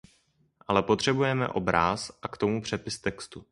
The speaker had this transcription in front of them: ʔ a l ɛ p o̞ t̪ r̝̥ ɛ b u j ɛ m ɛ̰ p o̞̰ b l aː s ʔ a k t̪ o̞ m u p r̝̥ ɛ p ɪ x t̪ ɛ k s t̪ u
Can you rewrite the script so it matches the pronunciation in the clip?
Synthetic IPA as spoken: ʔ a l ɛ p o̞ t̪ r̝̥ ɛ b u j ɛ m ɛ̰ ʔ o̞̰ b ɾ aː s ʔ a k t̪ o̞ m u p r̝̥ ɛ p ɪ s t̪ ɛ k s t̪ u